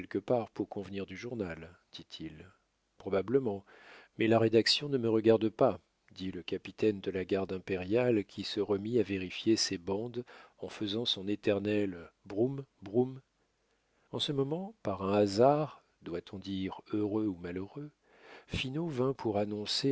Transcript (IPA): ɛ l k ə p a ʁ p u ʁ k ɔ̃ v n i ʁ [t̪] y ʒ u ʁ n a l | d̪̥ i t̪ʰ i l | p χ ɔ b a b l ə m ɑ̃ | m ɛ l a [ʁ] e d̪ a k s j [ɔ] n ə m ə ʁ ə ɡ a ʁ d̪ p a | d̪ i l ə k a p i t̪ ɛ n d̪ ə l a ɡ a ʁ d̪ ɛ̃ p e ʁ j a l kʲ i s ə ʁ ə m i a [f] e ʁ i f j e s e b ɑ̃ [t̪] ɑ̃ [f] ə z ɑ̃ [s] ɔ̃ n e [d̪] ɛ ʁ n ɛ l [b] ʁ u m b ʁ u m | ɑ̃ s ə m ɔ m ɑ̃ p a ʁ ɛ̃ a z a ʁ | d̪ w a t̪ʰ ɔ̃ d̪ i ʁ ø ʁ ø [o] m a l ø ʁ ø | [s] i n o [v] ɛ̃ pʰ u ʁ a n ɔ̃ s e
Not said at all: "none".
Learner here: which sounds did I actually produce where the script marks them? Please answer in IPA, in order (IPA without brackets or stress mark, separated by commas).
d̪, ʁ, ɔ̃, v, d̪, f, s, t̪, b, u, f, v